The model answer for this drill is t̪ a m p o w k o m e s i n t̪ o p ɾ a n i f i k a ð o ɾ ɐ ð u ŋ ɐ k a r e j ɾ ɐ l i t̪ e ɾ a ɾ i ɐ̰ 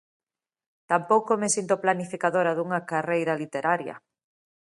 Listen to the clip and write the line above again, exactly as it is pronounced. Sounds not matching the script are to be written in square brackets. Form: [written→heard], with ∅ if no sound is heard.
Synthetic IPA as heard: t̪ a m p o w k o m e s i n t̪ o p [ɾ→l] a n i f i k a ð o ɾ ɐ ð u ŋ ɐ k a r e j ɾ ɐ l i t̪ e ɾ a ɾ [i→j] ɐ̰